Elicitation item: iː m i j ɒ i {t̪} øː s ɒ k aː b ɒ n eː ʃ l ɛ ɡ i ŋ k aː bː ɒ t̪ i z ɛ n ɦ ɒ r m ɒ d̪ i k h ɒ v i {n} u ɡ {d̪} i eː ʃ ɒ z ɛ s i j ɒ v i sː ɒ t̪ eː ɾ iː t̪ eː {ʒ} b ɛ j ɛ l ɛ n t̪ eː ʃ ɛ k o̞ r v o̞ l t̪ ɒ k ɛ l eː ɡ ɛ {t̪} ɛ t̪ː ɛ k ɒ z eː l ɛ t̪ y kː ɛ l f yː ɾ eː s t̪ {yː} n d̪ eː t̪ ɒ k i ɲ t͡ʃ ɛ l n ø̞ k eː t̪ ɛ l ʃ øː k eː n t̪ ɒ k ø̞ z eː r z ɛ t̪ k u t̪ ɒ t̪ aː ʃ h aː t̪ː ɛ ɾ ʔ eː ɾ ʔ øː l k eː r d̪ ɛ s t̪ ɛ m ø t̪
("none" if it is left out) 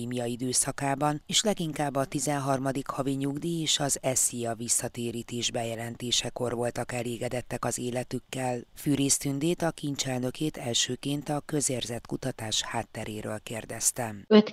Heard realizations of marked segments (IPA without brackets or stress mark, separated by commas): d̪, ɲ, d̪, ʒ, d̪, y